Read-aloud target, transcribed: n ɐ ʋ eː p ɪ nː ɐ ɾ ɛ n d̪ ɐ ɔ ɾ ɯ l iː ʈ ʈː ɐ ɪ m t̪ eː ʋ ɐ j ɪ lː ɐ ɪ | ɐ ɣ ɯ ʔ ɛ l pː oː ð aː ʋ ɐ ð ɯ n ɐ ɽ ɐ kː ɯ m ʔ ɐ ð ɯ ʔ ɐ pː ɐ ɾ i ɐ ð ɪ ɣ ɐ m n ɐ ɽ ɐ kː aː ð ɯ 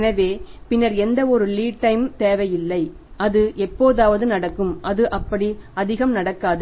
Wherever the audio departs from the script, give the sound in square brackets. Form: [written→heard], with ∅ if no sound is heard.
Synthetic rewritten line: n ɐ ʋ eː p ɪ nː ɐ ɾ ɛ n d̪ ɐ ɔ ɾ ɯ l iː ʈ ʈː ɐ ɪ m t̪ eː ʋ ɐ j ɪ lː ɐ ɪ | ɐ [ɣ→ð] ɯ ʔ ɛ [l→∅] pː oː ð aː ʋ ɐ ð ɯ n ɐ ɽ ɐ kː ɯ m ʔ ɐ ð ɯ ʔ ɐ pː ɐ [ɾ→ɽ] i ɐ ð ɪ ɣ ɐ m n ɐ ɽ ɐ kː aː ð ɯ